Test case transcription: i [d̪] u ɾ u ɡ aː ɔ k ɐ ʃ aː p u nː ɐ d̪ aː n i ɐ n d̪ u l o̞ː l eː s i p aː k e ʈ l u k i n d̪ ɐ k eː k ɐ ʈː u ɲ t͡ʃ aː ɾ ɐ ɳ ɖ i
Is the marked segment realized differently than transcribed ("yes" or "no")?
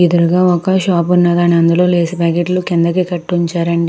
no